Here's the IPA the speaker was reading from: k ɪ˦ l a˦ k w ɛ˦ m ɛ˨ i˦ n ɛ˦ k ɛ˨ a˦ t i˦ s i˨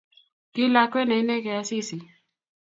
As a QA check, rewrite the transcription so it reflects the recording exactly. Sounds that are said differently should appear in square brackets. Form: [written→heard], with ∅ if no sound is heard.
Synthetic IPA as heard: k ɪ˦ l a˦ k w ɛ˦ [m→n] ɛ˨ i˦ n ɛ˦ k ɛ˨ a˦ [t→s] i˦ s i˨